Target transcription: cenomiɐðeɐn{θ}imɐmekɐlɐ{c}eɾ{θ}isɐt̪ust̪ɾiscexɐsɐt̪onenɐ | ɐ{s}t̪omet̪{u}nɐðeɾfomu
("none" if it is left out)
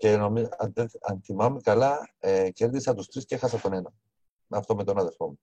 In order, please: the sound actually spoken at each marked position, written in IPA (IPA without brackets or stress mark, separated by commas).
θ, c, ð, f, o